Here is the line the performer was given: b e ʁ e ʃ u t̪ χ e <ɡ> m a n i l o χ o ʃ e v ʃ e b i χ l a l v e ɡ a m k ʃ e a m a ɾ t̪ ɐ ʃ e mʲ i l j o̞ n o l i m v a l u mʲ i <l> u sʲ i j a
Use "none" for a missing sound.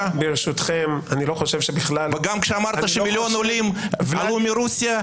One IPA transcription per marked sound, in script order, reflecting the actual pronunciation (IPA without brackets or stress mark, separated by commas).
none, ɾ